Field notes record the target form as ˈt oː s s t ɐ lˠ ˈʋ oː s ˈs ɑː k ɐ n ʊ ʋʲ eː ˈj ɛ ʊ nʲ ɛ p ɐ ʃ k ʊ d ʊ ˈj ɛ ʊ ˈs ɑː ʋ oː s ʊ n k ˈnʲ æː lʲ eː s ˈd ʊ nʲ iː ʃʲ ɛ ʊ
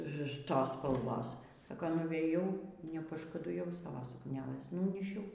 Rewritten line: ˈt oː s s p ɐ lˠ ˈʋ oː s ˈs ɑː k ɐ n ʊ ʋʲ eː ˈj ɛ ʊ nʲ ɛ p ɐ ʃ k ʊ d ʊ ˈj ɛ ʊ ˈs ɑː ʋ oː s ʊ k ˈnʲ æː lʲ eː s ˈn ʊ nʲ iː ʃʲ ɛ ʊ